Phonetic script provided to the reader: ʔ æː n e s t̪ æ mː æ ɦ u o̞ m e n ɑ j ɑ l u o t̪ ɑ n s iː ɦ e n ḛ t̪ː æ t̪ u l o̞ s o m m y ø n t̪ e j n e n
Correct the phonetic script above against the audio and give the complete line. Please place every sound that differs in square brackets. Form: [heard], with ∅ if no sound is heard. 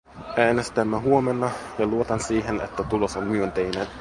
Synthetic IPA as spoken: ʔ æː n e s t̪ æ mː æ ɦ u o̞ m e [nː] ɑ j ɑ l u o t̪ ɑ n s iː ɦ e n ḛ t̪ː æ t̪ u l o̞ s o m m y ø n t̪ e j n e n